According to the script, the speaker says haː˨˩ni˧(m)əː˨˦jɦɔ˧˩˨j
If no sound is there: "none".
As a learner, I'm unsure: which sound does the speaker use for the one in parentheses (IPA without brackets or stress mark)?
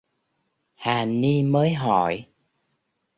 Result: m